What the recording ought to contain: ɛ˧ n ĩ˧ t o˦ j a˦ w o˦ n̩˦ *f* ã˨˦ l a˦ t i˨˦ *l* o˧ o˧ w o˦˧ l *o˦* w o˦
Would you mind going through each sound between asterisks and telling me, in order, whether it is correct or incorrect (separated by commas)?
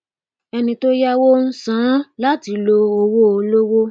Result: incorrect, correct, correct